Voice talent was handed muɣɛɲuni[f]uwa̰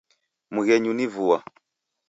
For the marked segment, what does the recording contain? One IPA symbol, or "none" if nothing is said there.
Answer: v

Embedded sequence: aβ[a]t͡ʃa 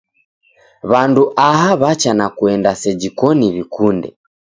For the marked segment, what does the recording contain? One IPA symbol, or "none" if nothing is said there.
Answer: a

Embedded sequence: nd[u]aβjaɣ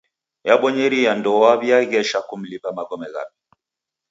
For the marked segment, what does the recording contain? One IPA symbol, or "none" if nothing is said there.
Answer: ɔ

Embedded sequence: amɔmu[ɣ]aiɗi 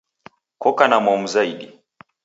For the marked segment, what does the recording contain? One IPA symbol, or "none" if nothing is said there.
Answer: z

